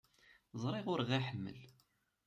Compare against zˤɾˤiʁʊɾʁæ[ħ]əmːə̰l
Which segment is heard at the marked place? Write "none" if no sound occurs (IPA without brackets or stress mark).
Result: ħ